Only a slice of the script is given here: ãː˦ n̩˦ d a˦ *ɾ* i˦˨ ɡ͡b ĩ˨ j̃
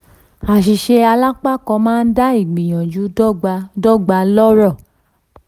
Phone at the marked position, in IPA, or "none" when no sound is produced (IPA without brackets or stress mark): none